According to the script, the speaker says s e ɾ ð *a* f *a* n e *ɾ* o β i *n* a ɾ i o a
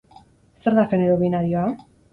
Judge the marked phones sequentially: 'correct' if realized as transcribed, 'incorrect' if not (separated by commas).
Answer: correct, incorrect, correct, correct